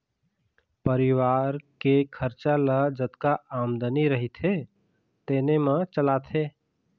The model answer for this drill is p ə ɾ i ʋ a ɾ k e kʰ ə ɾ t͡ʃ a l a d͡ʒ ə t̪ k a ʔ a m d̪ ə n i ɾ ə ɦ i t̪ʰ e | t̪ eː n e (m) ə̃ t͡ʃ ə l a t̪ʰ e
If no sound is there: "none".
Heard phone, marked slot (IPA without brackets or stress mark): m